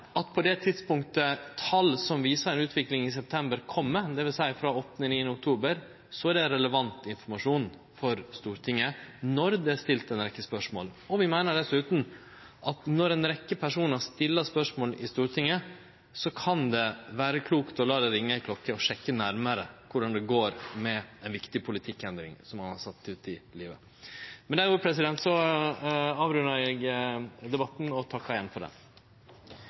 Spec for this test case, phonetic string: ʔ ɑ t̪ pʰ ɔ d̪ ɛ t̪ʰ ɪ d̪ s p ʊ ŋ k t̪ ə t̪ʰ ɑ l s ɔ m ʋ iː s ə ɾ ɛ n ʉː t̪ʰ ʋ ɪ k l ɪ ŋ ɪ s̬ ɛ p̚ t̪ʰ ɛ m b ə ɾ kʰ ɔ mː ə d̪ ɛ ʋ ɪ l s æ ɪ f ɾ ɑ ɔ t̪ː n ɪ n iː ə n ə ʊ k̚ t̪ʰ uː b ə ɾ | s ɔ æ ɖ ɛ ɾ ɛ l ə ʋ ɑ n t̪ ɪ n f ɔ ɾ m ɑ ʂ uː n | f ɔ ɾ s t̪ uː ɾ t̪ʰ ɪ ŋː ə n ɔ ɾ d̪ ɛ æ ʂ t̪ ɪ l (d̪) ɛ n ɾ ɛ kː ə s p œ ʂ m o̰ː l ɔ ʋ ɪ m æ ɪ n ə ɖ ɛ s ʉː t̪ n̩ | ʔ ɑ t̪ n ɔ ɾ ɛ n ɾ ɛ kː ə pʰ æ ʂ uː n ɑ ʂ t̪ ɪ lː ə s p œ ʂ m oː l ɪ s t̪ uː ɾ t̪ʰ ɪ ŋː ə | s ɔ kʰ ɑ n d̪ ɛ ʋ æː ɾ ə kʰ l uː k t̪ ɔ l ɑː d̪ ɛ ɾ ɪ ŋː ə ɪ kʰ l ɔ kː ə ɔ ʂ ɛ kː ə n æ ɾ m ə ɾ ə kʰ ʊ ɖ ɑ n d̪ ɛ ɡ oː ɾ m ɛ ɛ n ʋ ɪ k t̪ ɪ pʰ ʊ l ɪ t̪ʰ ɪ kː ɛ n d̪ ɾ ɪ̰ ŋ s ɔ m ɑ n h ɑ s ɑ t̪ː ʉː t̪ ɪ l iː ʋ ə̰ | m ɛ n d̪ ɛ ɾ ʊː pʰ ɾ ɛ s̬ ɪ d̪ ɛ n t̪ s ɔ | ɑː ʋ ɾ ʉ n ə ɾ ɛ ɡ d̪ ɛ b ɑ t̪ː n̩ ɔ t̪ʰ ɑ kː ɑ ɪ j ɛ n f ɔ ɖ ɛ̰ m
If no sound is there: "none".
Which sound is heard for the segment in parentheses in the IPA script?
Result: t̪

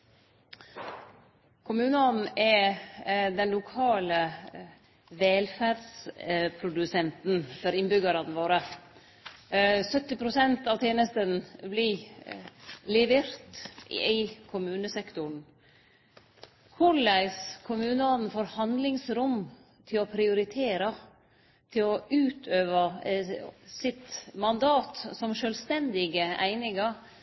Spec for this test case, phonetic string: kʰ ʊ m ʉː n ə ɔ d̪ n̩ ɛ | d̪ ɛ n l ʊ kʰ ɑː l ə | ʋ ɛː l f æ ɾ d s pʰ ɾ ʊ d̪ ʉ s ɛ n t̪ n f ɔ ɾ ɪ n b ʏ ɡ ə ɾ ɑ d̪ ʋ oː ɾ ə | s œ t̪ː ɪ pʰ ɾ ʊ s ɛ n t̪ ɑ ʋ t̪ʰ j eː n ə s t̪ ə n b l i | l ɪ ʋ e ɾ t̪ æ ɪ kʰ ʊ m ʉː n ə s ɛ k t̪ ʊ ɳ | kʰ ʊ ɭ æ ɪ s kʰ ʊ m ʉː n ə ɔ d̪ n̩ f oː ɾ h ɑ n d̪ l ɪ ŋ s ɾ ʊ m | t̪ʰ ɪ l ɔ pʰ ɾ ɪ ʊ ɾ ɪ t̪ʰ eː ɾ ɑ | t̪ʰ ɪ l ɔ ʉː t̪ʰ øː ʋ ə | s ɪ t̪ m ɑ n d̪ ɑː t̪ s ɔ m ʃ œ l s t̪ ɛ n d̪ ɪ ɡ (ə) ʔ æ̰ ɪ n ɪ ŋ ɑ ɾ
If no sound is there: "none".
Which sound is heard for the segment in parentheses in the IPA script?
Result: ə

